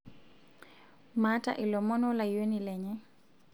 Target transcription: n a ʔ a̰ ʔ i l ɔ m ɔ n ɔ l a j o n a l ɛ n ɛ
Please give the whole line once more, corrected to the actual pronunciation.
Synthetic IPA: m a t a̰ ʔ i l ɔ m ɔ n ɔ l a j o n i l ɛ ɲ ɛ